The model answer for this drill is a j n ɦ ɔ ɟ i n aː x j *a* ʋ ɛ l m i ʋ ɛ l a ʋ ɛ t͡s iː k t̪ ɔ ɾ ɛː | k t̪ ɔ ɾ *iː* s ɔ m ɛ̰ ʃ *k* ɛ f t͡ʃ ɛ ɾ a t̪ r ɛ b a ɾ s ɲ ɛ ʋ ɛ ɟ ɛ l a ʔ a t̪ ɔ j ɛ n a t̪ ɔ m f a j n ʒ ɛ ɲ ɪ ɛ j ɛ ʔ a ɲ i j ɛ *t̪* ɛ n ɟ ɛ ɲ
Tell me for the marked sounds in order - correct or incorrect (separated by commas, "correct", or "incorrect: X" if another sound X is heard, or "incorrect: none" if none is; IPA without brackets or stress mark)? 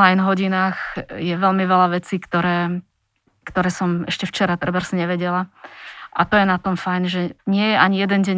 incorrect: ɛ, incorrect: ɛː, incorrect: c, incorrect: d̪